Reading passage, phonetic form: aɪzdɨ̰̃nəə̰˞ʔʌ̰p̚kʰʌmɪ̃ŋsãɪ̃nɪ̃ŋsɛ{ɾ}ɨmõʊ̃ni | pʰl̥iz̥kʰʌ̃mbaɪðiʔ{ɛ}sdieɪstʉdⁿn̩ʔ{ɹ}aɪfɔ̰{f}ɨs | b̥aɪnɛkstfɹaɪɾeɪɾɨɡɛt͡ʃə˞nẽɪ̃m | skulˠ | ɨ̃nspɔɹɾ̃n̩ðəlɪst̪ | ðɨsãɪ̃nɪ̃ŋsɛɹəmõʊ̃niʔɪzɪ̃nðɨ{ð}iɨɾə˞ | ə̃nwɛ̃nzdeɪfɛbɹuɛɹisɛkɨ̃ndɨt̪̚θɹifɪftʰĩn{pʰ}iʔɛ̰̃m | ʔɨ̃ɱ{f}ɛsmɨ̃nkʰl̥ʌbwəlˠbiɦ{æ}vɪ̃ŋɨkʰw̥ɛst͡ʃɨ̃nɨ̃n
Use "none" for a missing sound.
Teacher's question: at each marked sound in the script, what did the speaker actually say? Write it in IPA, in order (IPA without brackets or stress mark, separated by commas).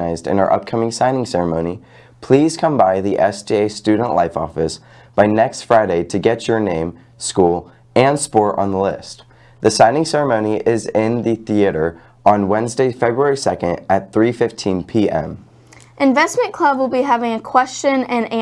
ɹ, ɛ, l, f, θ, pʰ, v, æ